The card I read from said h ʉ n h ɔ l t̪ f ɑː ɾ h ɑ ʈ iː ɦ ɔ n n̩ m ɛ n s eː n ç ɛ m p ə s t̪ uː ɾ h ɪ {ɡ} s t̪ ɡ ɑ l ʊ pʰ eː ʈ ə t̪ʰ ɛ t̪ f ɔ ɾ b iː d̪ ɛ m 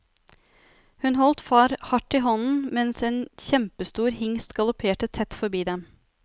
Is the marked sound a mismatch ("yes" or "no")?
yes